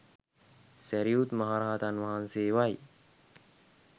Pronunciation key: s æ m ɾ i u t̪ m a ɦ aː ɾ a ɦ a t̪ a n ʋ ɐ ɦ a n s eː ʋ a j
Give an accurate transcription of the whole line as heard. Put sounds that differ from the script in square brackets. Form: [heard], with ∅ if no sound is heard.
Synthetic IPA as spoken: s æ [∅] ɾ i u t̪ m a ɦ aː ɾ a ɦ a t̪ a n ʋ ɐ ɦ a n s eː ʋ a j